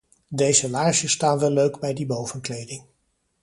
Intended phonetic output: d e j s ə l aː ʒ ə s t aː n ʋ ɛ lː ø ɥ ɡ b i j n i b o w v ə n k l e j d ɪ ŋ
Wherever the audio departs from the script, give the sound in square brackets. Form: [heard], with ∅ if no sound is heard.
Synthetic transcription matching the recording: d e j [z] ə l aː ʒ ə s t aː n ʋ ɛ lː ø ɥ ɡ b [ɛ] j [d] i b o w v ə n k l e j d ɪ ŋ